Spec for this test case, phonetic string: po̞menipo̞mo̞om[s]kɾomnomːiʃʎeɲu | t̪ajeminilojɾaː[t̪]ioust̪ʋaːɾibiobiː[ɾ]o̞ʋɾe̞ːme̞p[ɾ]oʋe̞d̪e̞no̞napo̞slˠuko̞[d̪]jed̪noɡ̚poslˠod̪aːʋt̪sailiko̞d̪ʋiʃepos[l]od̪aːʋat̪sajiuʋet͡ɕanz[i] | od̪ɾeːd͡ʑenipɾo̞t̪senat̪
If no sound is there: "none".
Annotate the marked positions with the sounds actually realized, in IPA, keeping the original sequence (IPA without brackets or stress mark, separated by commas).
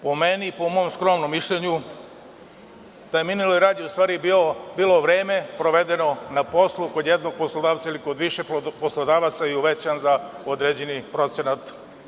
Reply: s, d̪, l, ɾ, d̪, l, a